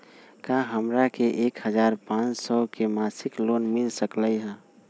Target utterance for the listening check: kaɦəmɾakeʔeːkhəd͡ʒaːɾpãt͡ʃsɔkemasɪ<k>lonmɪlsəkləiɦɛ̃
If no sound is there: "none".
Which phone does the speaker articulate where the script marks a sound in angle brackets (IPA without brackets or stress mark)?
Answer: k